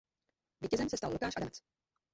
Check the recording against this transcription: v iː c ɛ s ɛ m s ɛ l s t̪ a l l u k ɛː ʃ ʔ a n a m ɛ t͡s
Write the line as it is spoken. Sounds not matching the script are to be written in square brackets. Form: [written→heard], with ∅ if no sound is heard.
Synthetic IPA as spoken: v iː c ɛ [s→z] ɛ m s ɛ [l→∅] s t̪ a l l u k [ɛː→aː] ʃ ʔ a [n→d] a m ɛ t͡s